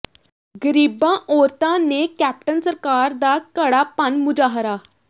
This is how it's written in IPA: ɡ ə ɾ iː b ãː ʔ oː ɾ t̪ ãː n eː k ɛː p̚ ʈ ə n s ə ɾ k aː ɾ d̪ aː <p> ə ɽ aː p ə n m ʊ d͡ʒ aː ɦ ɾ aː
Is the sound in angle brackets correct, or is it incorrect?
incorrect